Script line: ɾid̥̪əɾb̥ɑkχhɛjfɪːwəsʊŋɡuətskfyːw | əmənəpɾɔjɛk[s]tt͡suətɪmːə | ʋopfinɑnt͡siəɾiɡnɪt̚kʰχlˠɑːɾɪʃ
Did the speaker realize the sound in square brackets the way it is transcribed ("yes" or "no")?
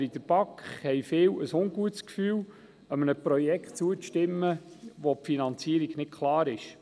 no